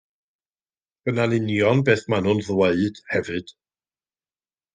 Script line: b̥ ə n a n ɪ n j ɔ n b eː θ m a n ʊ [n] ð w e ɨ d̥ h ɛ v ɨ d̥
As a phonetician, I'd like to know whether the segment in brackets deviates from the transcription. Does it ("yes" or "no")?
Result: no